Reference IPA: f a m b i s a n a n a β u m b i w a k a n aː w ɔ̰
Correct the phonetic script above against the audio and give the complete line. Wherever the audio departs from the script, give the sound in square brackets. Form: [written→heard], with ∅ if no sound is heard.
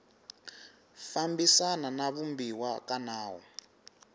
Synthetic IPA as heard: f a m b i s a n a n a β u m b i w a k a n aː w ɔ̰